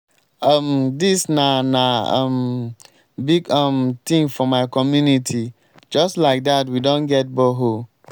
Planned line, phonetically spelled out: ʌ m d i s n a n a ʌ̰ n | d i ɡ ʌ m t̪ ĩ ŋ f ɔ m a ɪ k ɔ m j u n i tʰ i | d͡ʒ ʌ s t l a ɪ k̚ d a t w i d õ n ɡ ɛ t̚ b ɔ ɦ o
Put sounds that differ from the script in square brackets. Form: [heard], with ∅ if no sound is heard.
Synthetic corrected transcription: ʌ m d i s n a n a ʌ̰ [m] | [b] i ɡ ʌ m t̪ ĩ ŋ f ɔ m a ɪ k ɔ m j u n i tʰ i | d͡ʒ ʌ s t l a ɪ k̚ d a t w i d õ n ɡ ɛ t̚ b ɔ ɦ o